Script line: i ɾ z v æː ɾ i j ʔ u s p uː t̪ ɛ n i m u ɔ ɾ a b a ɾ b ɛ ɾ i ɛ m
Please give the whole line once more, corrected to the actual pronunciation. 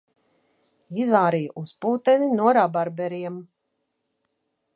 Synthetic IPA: i z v aː ɾ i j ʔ u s p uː t̪ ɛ n i n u ɔ ɾ a b a ɾ b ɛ ɾ i ɛ m